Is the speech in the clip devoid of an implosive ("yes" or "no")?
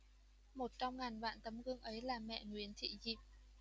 yes